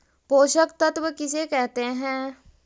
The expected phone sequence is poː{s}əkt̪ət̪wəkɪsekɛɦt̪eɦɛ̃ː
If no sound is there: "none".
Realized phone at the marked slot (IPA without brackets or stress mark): ʃ